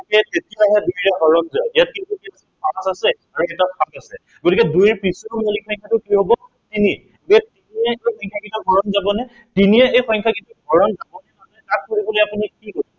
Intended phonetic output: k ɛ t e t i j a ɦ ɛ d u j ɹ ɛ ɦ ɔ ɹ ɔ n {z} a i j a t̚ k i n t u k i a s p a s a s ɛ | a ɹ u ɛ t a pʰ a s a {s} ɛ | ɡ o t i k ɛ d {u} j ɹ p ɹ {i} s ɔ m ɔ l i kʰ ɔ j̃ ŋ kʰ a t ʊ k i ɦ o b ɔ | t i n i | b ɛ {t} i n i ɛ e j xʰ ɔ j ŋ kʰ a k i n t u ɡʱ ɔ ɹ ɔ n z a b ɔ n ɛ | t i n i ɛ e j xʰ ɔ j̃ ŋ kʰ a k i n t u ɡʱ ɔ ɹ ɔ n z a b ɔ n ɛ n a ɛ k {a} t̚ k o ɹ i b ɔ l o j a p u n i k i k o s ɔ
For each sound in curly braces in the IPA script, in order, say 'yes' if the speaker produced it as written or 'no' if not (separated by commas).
yes, yes, yes, yes, yes, yes